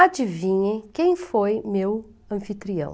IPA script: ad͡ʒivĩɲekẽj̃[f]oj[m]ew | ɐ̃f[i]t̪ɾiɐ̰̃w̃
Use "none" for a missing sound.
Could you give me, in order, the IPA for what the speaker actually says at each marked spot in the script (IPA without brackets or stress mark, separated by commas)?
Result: f, m, i